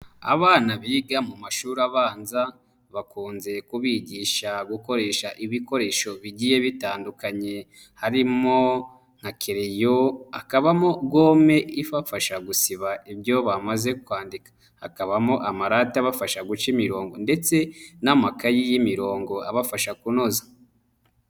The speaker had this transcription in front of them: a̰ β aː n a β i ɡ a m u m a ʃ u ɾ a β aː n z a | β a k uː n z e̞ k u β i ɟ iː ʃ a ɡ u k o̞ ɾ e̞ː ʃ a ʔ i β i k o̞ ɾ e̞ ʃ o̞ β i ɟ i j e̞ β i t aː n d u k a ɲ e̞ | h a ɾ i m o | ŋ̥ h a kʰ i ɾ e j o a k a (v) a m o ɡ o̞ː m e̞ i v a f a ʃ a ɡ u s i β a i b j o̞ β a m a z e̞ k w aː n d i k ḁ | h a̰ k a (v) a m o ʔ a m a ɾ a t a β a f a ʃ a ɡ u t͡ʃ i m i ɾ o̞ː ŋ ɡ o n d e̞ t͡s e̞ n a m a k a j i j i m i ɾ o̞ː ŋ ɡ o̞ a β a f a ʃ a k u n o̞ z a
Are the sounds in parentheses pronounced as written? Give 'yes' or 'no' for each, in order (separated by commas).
no, no